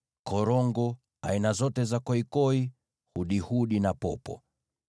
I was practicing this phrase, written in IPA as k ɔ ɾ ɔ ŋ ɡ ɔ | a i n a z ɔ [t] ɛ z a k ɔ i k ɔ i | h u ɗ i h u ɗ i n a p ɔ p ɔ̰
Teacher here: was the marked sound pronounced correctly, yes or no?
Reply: yes